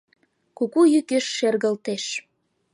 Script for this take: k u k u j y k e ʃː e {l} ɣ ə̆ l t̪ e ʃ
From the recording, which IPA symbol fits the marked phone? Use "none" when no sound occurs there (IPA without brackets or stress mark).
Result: r